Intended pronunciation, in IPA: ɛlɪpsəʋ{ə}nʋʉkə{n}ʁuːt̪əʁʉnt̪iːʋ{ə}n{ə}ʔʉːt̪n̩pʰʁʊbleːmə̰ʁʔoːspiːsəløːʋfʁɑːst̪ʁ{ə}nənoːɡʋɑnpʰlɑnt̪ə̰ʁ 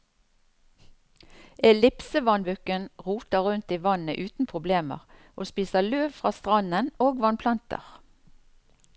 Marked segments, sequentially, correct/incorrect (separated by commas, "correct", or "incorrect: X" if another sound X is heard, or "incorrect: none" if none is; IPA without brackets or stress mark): incorrect: ɑ, correct, incorrect: ɑ, correct, incorrect: ɑ